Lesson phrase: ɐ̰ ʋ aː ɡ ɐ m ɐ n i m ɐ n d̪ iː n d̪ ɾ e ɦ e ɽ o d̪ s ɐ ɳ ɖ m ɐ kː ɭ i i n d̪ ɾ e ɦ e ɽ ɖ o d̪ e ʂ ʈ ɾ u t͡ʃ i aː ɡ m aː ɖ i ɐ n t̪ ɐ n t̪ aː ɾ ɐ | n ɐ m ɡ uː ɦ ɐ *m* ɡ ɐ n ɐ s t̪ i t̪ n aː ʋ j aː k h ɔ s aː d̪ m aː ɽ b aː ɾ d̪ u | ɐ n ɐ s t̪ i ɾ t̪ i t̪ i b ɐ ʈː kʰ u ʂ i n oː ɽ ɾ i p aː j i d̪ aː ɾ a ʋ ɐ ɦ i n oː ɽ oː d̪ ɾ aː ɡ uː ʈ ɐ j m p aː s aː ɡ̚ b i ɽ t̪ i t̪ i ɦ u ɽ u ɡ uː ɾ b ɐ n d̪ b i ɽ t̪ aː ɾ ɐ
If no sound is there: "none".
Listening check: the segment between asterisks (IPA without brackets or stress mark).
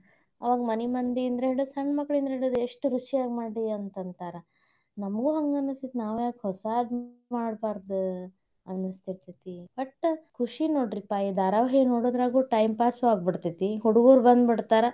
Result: ŋ